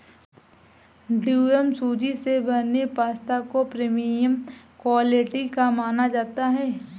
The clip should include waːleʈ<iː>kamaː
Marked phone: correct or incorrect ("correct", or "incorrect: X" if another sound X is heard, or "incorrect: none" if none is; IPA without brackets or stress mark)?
incorrect: i